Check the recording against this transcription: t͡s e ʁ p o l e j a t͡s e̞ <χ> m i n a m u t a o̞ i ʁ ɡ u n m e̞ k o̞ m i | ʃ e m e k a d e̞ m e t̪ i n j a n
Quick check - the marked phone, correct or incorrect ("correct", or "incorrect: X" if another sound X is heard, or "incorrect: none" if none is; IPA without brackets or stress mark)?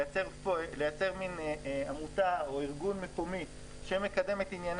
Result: incorrect: ʁ